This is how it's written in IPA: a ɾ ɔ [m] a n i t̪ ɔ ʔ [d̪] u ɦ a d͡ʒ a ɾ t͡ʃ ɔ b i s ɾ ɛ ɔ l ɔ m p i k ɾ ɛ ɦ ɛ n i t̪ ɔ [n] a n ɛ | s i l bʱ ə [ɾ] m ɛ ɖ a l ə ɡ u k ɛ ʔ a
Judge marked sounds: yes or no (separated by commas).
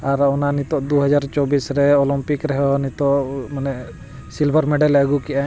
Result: no, yes, no, yes